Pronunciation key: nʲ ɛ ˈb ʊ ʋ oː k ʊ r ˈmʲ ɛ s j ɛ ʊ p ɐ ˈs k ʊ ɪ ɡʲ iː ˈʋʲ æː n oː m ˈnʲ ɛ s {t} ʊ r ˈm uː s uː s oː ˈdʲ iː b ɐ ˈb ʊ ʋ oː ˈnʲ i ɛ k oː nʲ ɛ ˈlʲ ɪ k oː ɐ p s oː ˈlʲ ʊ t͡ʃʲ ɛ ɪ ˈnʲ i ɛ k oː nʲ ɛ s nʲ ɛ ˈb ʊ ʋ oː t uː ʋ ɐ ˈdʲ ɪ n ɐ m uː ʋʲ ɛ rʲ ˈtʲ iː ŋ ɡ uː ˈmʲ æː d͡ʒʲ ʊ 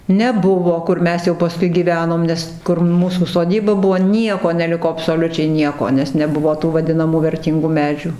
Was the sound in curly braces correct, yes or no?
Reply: no